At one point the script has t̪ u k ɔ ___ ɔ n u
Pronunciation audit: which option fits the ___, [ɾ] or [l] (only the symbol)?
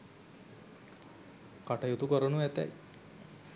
ɾ